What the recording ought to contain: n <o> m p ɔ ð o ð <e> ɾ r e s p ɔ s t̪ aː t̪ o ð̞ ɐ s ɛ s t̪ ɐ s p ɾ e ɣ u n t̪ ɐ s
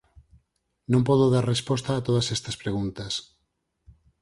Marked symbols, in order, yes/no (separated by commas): no, no